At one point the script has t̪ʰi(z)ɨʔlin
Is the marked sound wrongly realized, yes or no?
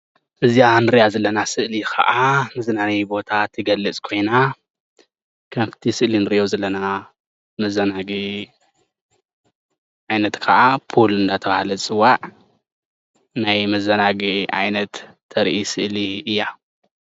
yes